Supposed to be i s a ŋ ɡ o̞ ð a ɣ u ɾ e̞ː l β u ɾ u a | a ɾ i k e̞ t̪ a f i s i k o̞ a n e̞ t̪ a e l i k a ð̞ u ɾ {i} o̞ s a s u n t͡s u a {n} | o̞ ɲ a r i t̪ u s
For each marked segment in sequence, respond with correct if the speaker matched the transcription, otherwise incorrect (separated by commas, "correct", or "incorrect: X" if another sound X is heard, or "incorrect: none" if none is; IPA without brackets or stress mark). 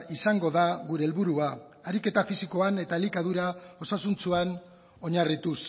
incorrect: a, correct